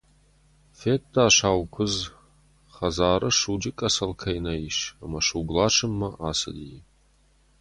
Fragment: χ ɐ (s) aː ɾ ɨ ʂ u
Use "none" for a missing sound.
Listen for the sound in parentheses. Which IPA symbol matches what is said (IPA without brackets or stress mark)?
z